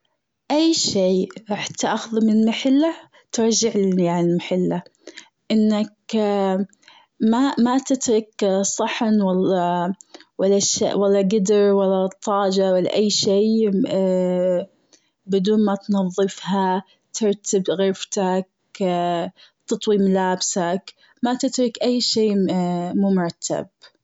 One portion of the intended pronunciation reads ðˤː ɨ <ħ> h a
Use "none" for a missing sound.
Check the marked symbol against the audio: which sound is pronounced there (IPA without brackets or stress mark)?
f